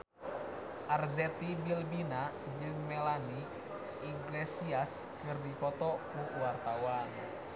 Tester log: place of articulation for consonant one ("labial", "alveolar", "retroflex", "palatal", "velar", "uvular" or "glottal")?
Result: glottal